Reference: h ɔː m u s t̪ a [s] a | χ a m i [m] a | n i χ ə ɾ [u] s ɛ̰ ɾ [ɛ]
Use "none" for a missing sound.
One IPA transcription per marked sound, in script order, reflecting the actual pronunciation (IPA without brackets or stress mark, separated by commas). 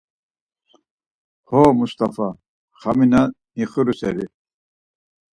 f, n, u, i